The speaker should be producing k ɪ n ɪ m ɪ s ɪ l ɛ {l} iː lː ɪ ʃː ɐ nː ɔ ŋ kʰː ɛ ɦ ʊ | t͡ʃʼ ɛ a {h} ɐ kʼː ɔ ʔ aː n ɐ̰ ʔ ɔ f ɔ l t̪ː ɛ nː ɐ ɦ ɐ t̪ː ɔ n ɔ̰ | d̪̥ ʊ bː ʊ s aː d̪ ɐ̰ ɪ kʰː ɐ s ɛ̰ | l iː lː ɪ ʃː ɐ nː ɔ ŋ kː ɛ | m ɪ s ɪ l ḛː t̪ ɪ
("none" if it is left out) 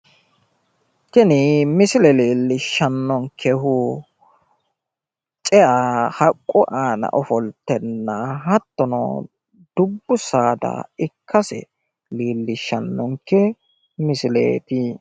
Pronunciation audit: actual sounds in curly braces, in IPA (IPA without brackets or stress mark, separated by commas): l, h